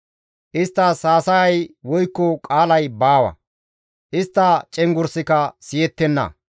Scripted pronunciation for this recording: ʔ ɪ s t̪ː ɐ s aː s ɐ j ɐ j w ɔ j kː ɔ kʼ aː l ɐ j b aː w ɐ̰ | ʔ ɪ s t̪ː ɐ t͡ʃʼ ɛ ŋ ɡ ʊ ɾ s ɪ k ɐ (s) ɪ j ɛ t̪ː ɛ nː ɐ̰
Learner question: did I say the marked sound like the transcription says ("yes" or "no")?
yes